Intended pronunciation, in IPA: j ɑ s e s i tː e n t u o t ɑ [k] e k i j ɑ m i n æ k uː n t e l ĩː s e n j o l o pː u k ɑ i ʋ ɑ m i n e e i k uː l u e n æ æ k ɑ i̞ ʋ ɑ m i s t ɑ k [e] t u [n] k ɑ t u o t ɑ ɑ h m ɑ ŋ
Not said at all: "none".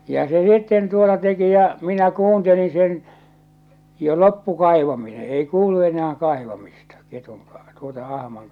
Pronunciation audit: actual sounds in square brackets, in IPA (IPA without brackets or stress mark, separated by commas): t, e, ŋ